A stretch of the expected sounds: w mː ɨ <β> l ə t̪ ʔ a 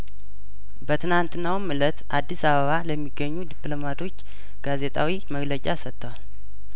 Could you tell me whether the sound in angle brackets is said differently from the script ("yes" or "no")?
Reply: yes